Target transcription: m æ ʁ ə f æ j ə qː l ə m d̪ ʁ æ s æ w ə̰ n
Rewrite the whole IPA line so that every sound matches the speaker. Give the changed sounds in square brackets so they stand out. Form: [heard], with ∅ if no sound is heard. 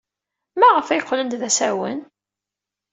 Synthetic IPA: m æ ʁ ə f æ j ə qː l ə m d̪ [ð] æ s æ w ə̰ n